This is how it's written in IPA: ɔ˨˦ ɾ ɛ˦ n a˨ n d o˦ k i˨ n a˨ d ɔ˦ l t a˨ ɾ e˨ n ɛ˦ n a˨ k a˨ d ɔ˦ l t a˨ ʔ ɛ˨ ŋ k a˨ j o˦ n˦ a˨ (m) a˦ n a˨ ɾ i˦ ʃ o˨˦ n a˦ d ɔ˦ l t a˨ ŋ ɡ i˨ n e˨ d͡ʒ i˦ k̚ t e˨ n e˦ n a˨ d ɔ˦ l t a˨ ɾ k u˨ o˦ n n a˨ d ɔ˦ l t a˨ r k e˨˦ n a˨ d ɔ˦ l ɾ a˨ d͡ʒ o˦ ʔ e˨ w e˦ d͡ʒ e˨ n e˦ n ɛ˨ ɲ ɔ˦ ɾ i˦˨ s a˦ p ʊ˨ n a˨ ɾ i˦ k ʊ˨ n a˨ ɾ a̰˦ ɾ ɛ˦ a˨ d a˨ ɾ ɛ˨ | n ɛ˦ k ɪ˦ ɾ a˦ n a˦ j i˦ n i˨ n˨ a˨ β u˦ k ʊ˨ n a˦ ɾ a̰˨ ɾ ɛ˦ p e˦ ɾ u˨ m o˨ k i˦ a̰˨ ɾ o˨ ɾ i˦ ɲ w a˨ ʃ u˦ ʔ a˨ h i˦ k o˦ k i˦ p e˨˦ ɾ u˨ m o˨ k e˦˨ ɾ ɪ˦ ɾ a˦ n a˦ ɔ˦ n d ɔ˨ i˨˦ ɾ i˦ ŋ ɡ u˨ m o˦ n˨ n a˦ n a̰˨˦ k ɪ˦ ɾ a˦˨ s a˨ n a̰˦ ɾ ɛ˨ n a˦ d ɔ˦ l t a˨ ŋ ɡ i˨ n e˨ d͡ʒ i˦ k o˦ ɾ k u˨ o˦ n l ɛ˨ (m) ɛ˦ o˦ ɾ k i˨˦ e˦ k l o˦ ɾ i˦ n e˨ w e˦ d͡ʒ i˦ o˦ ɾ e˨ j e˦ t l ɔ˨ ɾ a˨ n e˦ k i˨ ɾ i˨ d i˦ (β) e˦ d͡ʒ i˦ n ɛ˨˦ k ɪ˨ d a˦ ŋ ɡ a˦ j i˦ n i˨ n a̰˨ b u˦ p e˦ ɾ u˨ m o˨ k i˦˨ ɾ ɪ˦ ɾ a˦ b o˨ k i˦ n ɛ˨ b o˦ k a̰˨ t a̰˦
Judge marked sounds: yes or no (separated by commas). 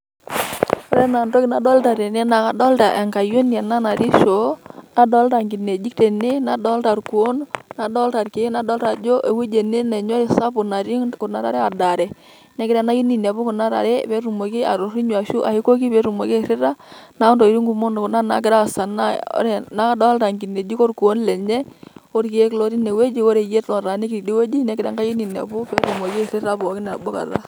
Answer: no, no, no